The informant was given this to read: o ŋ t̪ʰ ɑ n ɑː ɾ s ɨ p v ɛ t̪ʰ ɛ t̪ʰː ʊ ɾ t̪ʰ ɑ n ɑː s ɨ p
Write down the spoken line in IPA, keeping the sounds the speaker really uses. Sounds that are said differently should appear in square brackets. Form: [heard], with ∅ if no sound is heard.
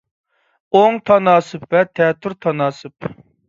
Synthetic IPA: o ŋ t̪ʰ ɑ n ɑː [∅] s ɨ p v ɛ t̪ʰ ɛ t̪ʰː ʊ ɾ t̪ʰ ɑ n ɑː s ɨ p

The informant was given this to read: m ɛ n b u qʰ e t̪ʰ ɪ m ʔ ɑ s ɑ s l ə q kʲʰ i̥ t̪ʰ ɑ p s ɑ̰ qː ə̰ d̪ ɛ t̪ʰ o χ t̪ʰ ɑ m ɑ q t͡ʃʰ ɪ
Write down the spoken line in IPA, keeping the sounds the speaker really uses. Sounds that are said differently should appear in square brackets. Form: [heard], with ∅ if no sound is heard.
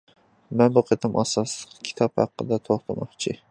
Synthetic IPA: m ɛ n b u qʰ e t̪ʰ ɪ m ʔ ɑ s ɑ s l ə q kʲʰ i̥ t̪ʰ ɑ p [h] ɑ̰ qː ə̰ d̪ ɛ t̪ʰ o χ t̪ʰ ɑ m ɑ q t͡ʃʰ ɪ

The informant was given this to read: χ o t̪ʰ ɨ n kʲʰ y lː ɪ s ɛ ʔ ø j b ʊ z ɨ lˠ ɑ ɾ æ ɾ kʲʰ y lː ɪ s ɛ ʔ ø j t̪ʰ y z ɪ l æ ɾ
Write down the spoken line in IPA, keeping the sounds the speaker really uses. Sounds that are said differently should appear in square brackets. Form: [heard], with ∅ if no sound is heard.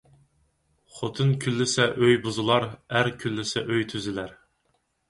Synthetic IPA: χ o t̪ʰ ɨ n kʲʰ y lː ɪ s ɛ ʔ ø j b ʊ z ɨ lˠ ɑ ɾ æ ɾ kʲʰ y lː ɪ s ɛ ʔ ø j t̪ʰ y z ɪ l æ ɾ

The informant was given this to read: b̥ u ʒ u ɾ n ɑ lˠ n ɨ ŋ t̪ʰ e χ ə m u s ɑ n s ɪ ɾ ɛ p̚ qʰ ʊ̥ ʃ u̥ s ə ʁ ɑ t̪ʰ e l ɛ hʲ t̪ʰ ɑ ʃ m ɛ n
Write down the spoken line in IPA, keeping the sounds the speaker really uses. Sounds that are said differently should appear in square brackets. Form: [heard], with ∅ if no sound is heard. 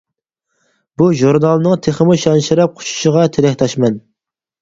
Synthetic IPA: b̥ u ʒ u ɾ n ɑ lˠ n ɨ ŋ t̪ʰ e χ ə m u [ʃ] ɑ n [ʃ] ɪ ɾ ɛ p̚ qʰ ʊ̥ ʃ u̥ [ʃ] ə ʁ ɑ t̪ʰ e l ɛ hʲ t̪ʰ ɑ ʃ m ɛ n

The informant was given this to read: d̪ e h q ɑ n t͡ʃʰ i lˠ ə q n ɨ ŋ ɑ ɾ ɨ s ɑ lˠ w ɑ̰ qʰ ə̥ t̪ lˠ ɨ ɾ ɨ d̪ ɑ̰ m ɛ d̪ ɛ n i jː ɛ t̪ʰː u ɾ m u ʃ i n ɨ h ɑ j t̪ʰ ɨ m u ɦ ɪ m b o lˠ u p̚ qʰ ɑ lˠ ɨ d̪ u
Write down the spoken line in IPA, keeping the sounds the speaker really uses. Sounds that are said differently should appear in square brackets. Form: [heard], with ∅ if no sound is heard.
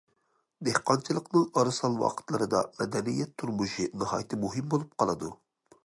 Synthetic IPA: d̪ e h q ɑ n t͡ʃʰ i lˠ ə q n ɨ ŋ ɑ ɾ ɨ s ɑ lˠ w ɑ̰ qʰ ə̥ t̪ lˠ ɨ ɾ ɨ d̪ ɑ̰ m ɛ d̪ ɛ n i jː ɛ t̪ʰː u ɾ m u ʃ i n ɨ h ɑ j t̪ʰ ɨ m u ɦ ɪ m b o lˠ u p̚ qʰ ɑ lˠ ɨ d̪ u

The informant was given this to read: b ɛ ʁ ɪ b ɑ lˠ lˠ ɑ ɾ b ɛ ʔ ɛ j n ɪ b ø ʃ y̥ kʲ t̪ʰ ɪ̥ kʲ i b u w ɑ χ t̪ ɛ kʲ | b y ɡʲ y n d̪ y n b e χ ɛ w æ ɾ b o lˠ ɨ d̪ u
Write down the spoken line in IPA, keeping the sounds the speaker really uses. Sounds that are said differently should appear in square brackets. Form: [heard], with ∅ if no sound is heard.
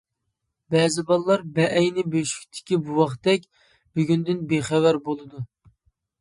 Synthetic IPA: b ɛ [z] ɪ b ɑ lˠ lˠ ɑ ɾ b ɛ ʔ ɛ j n ɪ b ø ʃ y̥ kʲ t̪ʰ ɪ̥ kʲ i b u w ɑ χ t̪ ɛ kʲ | b y ɡʲ y n d̪ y n b e χ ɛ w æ ɾ b o lˠ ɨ d̪ u

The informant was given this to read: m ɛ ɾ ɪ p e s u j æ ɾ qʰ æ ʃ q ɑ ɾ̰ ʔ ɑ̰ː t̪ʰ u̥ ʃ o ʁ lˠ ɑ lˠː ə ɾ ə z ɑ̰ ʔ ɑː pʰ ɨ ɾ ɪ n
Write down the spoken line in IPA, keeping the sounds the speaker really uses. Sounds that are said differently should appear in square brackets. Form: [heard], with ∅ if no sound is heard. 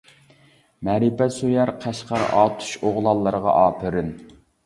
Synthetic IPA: m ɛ ɾ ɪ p [ɛ] s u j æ ɾ qʰ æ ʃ q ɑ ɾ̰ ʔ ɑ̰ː t̪ʰ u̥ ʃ o ʁ lˠ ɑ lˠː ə ɾ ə [ʁ] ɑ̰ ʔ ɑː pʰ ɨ ɾ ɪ n

